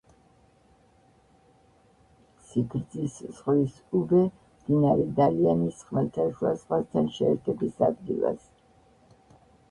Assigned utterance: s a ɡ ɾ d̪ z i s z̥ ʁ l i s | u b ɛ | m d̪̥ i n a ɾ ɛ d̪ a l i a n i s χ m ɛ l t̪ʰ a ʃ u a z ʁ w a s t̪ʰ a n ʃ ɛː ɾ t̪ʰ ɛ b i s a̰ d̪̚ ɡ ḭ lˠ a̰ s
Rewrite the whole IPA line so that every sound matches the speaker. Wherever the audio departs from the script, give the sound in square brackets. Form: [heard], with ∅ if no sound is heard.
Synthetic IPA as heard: s [i] ɡ ɾ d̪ z i s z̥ ʁ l i s | u b ɛ | m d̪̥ i n a ɾ ɛ d̪ a l i a n i s χ m ɛ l t̪ʰ a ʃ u a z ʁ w a s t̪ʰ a n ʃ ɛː ɾ t̪ʰ ɛ b i s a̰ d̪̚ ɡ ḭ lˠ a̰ s

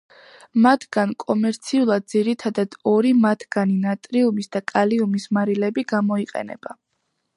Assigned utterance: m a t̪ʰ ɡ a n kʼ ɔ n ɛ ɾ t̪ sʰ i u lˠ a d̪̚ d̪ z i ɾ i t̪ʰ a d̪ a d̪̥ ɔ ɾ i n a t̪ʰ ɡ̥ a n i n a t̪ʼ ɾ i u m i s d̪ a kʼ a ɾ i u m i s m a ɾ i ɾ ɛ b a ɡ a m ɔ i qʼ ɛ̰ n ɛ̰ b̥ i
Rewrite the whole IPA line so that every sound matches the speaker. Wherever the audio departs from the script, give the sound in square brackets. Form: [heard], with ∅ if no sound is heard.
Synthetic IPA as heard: m a t̪ʰ ɡ a n kʼ ɔ [m] ɛ ɾ t̪ sʰ i u lˠ a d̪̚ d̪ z i ɾ i t̪ʰ a d̪ a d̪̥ ɔ ɾ i [m] a t̪ʰ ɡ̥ a n i n a t̪ʼ ɾ i u m i s d̪ a kʼ a [l] i u m i s m a ɾ i [l] ɛ b [i] ɡ a m ɔ i qʼ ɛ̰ n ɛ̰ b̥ [a]

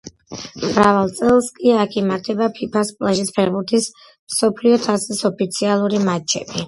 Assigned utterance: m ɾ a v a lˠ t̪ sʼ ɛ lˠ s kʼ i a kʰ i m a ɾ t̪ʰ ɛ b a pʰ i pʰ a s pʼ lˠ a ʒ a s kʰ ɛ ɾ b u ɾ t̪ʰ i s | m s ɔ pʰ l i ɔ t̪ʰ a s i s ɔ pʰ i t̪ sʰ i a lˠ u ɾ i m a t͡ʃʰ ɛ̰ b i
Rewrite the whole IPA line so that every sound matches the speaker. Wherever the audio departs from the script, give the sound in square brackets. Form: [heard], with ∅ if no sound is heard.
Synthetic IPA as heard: m ɾ a v a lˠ t̪ sʼ ɛ lˠ s kʼ i a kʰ i m a ɾ t̪ʰ ɛ b a pʰ i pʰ a s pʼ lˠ a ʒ [i] s [pʰ] ɛ ɾ b u ɾ t̪ʰ i s | m s ɔ pʰ l i ɔ t̪ʰ a s i s ɔ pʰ i t̪ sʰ i a lˠ u ɾ i m a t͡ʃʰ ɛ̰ b i

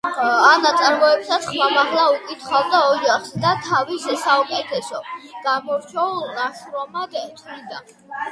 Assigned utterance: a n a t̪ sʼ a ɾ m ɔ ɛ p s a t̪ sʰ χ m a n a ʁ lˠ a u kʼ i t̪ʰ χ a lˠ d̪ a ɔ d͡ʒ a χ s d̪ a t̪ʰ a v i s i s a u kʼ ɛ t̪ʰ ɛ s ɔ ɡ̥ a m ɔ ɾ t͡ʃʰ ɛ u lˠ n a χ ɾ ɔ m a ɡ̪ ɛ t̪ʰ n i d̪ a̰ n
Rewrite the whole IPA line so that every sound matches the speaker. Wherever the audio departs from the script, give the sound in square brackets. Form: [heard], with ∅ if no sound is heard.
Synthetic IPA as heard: a n a t̪ sʼ a ɾ m ɔ ɛ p s a t̪ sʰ χ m a [m] a ʁ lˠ a u kʼ i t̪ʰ χ a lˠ d̪ a ɔ d͡ʒ a χ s d̪ a t̪ʰ a v i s [ɛ] s a u kʼ ɛ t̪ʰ ɛ s ɔ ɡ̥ a m ɔ ɾ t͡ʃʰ ɛ u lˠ n a [ʃ] ɾ ɔ m a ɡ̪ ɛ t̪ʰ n i d̪ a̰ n

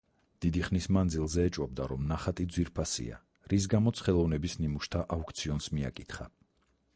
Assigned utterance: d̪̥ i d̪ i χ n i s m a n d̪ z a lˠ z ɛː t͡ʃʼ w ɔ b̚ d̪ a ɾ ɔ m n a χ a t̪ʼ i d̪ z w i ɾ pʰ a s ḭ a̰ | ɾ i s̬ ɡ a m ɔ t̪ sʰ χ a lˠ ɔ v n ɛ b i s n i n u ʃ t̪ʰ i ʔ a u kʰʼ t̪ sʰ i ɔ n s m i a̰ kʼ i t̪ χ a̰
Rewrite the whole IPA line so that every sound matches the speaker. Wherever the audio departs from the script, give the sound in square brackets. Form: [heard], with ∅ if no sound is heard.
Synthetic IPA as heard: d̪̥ i d̪ i χ n i s m a n d̪ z [i] lˠ z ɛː t͡ʃʼ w ɔ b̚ d̪ a ɾ ɔ m n a χ a t̪ʼ i d̪ z w i ɾ pʰ a s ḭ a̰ | ɾ i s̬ ɡ a m ɔ t̪ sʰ χ [ɛ] lˠ ɔ v n ɛ b i s n i [m] u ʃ t̪ʰ [a] ʔ a u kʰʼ t̪ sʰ i ɔ n s m i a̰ kʼ i t̪ χ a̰

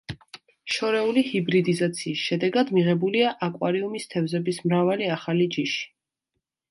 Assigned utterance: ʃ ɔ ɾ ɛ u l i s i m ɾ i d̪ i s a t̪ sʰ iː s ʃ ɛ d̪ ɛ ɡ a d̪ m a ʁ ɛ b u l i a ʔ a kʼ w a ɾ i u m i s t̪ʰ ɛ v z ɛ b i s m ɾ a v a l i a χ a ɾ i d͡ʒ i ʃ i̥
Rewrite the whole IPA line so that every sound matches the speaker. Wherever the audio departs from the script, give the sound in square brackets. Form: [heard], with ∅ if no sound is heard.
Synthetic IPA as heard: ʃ ɔ ɾ ɛ u l i [h] i [b] ɾ i d̪ i [z] a t̪ sʰ iː s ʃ ɛ d̪ ɛ ɡ a d̪ m [i] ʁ ɛ b u l i a ʔ a kʼ w a ɾ i u m i s t̪ʰ ɛ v z ɛ b i s m ɾ a v a l i a χ a [l] i d͡ʒ i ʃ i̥

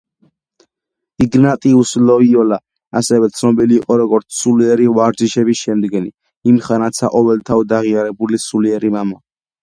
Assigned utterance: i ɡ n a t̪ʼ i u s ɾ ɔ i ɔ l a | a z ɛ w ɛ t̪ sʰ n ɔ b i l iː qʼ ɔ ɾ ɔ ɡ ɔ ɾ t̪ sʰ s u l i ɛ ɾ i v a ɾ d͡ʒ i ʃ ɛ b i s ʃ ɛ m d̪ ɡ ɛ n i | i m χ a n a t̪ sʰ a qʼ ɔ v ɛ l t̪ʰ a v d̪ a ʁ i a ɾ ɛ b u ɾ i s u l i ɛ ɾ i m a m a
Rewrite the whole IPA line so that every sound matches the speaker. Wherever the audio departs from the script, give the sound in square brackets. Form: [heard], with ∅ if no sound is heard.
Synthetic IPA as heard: i ɡ n a t̪ʼ i u s [l] ɔ i ɔ l a | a [s] ɛ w ɛ t̪ sʰ n ɔ b i l iː qʼ ɔ ɾ ɔ ɡ ɔ ɾ t̪ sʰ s u l i ɛ ɾ i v a ɾ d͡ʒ i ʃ ɛ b i s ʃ ɛ m d̪ ɡ ɛ n i | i m χ a n a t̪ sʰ a qʼ ɔ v ɛ l t̪ʰ a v d̪ a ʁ i a ɾ ɛ b u [l] i s u l i ɛ ɾ i m a m a

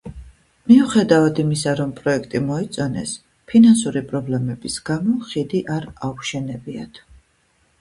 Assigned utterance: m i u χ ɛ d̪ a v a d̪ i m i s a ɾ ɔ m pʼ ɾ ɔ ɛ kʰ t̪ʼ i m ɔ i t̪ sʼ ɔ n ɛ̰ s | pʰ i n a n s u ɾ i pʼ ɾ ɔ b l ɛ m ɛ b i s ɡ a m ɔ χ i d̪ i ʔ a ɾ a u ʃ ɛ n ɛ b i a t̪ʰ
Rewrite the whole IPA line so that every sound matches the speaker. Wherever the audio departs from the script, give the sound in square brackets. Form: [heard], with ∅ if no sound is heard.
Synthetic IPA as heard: m i u χ ɛ d̪ a v a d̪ i m i s a ɾ ɔ m pʼ ɾ ɔ ɛ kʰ t̪ʼ i m ɔ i t̪ sʼ ɔ n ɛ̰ s | pʰ i n a n s u ɾ i pʼ ɾ ɔ b l ɛ m ɛ b i s ɡ a m ɔ χ i d̪ i ʔ a ɾ a u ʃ ɛ n ɛ b i a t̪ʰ

